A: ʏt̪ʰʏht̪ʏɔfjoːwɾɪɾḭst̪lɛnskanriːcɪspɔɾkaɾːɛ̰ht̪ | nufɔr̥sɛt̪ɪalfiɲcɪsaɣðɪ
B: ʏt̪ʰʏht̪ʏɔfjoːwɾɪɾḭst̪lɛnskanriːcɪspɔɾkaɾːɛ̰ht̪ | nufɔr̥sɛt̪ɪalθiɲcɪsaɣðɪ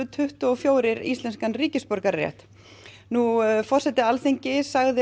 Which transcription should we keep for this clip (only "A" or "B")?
B